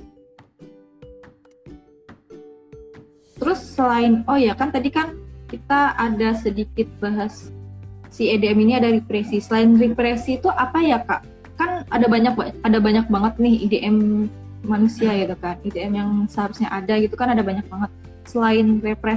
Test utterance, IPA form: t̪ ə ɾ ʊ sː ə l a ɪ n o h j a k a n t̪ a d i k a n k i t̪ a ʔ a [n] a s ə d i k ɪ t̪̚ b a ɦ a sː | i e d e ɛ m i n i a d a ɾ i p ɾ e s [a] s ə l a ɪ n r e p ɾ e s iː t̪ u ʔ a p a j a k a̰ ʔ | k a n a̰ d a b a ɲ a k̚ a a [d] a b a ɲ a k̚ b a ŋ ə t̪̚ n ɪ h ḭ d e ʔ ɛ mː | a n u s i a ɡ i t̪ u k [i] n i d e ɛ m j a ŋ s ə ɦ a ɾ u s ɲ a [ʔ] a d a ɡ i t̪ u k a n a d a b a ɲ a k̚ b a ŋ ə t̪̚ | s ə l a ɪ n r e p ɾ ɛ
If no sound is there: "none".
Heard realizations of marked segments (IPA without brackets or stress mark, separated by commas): d, i, d, a, ʔ